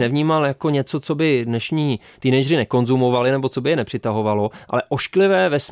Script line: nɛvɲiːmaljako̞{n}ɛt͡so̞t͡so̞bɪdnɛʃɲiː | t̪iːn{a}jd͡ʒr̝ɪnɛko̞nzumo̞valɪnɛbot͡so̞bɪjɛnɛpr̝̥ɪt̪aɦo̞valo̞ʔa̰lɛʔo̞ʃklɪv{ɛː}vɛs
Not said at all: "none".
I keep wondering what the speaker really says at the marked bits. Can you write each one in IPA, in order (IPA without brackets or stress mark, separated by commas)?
ɲ, ɛ, ɛː